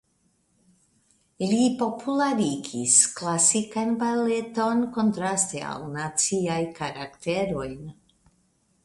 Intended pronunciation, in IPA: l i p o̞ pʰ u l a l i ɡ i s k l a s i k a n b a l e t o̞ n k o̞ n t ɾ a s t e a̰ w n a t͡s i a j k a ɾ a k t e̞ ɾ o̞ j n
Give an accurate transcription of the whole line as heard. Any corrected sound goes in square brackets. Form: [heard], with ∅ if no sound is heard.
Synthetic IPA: l i p o̞ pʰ u l a [ɾ] i ɡ i s k l a s i k a n b a l e t o̞ n k o̞ n t ɾ a s t e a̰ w n a t͡s i a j k a ɾ a k t e̞ ɾ o̞ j n

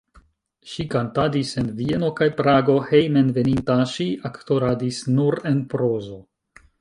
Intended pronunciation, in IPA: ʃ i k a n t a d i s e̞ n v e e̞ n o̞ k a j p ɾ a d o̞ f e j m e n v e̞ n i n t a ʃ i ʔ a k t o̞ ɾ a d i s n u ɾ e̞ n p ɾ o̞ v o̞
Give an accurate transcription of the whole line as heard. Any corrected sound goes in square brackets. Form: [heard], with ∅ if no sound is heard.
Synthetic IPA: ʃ i k a n t a d i s e̞ n v [i] e̞ n o̞ k a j p ɾ a [ɡ] o̞ [h] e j m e n v e̞ n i n t a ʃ i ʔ a k t o̞ ɾ a d i s n u ɾ e̞ n p ɾ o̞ [z] o̞

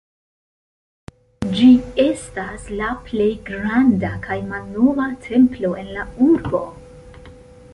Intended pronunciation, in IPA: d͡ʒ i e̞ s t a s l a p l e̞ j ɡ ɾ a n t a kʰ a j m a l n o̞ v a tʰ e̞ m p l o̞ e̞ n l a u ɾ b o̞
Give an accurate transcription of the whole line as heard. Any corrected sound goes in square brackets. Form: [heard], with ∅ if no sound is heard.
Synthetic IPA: d͡ʒ i e̞ s t a s l a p l e̞ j ɡ ɾ a n [d] a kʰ a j m a l n o̞ v a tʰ e̞ m p l o̞ e̞ n l a u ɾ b o̞

